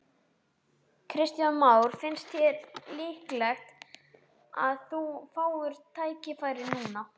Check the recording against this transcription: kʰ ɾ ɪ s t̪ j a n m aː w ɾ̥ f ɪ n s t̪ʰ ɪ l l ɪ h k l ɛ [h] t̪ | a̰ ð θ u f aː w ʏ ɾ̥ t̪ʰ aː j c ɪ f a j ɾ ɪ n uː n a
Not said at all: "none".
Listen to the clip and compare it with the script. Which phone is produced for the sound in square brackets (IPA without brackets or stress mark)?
x